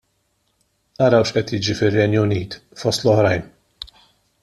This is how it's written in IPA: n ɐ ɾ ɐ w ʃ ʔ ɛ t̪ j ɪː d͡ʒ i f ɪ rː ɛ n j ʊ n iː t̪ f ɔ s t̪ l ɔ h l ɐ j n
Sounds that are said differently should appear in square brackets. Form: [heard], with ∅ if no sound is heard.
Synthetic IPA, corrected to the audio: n ɐ ɾ ɐ w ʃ ʔ ɛ t̪ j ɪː d͡ʒ i f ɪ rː ɛ n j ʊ n iː t̪ f ɔ s t̪ l ɔ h [ɾ] ɐ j n